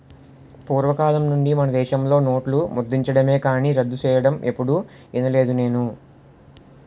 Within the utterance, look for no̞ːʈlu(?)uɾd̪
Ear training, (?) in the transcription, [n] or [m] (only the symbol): m